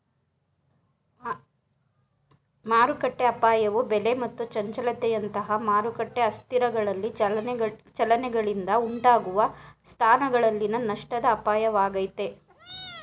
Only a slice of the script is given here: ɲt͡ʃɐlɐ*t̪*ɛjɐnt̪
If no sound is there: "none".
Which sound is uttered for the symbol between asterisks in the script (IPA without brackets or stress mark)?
t̪